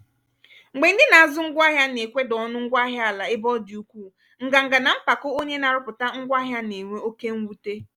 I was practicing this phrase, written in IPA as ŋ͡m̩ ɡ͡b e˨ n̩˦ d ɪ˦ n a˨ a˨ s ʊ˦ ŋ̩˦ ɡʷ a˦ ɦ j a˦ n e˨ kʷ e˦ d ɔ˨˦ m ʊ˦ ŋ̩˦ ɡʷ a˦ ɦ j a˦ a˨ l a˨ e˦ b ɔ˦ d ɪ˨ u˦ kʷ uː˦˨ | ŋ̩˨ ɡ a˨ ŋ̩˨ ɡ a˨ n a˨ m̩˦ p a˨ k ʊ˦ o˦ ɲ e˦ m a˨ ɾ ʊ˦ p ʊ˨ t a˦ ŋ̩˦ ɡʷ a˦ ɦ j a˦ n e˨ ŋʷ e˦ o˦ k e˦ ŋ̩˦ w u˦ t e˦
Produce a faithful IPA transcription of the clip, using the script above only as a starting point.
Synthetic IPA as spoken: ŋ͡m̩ ɡ͡b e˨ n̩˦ d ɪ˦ n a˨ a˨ z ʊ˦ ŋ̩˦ ɡʷ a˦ ɦ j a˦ n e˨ kʷ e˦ d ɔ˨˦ n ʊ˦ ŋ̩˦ ɡʷ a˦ ɦ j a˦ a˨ l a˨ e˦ b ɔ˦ d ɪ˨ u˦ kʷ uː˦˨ | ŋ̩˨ ɡ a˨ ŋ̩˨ ɡ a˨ n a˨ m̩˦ p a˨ k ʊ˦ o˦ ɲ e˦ n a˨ ɾ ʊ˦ p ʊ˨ t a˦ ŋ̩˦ ɡʷ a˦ ɦ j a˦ n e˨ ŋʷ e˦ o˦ k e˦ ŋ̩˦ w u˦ t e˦